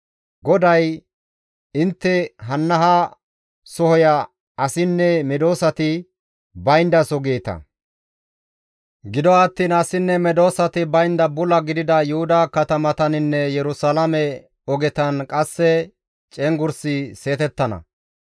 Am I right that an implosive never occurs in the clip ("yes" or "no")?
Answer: yes